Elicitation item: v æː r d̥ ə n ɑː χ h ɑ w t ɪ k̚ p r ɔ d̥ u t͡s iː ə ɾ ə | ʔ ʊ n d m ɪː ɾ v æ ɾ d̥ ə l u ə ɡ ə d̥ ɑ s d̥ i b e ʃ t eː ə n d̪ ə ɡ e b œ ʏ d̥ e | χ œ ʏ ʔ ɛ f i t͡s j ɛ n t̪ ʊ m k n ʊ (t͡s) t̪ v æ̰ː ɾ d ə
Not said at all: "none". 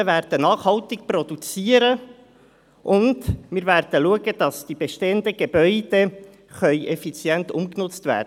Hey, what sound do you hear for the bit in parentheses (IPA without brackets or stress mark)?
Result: t͡s